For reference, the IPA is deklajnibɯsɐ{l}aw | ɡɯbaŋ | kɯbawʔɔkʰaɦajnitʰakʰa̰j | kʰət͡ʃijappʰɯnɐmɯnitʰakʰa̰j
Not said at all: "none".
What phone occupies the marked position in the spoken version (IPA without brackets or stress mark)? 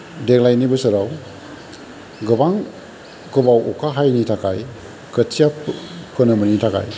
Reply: ɾ